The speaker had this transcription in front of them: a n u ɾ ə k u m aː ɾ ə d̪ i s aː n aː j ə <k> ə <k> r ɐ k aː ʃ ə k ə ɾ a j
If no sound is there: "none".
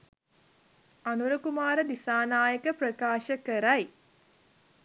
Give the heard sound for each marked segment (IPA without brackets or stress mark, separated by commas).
k, p